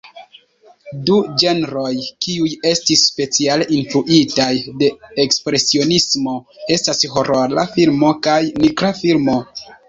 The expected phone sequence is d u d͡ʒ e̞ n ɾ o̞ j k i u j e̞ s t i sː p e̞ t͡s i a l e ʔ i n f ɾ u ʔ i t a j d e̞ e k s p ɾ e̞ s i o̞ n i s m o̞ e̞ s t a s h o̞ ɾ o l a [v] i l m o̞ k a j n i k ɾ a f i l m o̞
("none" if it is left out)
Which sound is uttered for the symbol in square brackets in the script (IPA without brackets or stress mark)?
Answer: f